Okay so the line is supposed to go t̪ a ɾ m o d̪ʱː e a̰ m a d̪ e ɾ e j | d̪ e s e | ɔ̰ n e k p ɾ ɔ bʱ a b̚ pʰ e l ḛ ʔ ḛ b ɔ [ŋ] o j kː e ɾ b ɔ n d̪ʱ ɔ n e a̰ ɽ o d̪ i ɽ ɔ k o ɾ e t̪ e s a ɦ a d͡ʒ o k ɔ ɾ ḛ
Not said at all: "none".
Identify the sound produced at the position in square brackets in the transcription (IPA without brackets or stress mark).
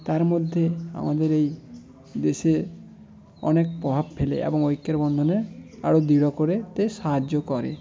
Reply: ŋ